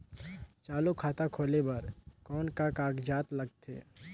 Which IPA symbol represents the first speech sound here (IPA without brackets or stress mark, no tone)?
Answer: t͡ʃ